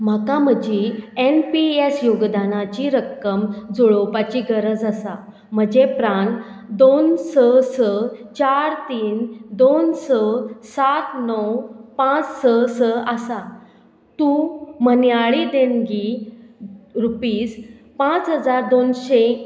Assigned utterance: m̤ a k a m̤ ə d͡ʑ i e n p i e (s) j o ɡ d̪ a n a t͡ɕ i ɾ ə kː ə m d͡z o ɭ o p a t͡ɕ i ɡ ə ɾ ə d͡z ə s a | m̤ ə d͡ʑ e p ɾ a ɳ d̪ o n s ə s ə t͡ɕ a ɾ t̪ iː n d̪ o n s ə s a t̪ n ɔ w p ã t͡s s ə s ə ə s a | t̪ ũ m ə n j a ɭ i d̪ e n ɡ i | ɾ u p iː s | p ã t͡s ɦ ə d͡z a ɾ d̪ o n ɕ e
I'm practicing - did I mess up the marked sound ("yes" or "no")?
no